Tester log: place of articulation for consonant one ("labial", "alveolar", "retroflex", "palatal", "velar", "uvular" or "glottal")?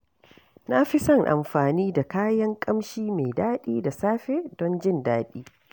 alveolar